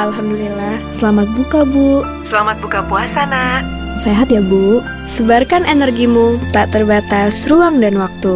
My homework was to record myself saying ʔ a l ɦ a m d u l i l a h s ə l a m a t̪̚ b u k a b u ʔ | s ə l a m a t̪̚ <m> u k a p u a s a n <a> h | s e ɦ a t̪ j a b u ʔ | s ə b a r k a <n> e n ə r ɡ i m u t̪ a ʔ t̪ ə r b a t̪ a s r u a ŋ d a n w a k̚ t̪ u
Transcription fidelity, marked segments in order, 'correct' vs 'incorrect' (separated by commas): incorrect, correct, correct